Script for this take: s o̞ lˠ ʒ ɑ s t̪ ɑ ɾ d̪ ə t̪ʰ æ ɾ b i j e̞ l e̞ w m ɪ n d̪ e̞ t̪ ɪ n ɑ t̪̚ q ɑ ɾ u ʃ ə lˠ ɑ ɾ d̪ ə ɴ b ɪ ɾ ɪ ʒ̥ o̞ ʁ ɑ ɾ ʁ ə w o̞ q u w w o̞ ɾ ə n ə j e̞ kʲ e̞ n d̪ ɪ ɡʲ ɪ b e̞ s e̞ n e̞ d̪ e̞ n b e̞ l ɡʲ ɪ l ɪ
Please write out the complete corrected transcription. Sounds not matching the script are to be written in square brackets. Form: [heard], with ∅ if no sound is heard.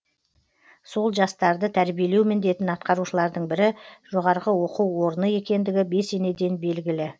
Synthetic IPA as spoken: s o̞ lˠ ʒ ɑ s t̪ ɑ ɾ d̪ ə t̪ʰ æ ɾ b i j e̞ l e̞ w m ɪ n d̪ e̞ t̪ ɪ n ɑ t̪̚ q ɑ ɾ u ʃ ə lˠ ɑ ɾ d̪ ə ɴ b ɪ ɾ ɪ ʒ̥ o̞ ʁ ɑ ɾ ʁ ə w o̞ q u w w o̞ ɾ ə n ə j e̞ kʲ e̞ n d̪ ɪ ɡʲ ɪ b e̞ s e̞ n e̞ d̪ e̞ n b e̞ l ɡʲ ɪ l ɪ

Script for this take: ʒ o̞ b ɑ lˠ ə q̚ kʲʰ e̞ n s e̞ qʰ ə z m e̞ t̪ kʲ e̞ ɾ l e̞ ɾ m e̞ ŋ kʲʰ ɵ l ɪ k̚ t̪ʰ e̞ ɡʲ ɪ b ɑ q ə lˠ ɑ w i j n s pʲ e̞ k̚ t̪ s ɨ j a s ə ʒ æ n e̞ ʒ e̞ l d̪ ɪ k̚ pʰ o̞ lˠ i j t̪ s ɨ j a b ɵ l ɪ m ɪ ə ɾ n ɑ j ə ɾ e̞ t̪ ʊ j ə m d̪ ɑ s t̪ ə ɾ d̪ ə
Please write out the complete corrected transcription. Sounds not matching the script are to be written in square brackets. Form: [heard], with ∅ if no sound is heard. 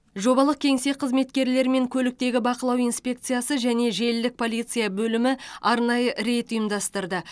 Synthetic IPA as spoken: ʒ o̞ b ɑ lˠ ə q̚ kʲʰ e̞ [ŋ] s e̞ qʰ ə z m e̞ t̪ kʲ e̞ ɾ l e̞ ɾ m e̞ ŋ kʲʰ ɵ l ɪ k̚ [t̪] e̞ ɡʲ ɪ b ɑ q ə lˠ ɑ w i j n s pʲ e̞ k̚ t̪ s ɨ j a s ə ʒ æ n e̞ ʒ e̞ l d̪ ɪ k̚ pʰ o̞ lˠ i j t̪ s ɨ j a b ɵ l ɪ m ɪ [ɑ] ɾ n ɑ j ə ɾ e̞ t̪ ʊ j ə m d̪ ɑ s t̪ ə ɾ d̪ ə

